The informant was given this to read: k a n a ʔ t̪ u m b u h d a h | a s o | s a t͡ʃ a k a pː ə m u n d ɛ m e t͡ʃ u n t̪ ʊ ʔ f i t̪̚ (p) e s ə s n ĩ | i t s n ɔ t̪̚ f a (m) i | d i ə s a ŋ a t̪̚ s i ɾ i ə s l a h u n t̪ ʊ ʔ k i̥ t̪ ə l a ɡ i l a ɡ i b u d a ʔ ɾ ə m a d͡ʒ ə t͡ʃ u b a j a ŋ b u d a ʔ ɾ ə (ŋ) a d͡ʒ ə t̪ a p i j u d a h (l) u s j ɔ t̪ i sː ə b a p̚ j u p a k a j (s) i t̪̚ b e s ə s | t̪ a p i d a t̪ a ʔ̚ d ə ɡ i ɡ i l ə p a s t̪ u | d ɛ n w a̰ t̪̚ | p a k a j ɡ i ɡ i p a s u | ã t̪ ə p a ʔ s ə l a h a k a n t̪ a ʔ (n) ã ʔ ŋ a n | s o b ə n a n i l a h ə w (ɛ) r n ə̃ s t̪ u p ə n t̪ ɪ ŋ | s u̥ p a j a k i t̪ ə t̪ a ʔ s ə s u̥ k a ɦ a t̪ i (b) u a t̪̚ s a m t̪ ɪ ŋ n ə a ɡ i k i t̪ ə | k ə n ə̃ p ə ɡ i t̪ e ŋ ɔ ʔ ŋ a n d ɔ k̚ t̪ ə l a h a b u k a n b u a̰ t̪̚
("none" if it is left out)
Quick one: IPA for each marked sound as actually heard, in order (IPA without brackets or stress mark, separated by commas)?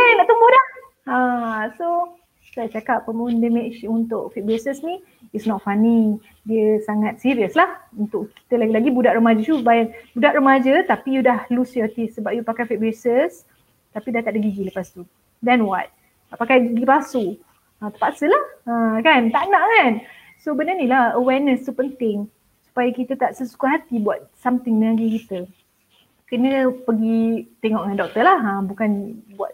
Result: b, n, m, l, f, n, ɛ, b